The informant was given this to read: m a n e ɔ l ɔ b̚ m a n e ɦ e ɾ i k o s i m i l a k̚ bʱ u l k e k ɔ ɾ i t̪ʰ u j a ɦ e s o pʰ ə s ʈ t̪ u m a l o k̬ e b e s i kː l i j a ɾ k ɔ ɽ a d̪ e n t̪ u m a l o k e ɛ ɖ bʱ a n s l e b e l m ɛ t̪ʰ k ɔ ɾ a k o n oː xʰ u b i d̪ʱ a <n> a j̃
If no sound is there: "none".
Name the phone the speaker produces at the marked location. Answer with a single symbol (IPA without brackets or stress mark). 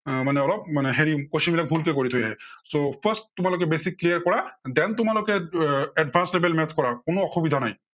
n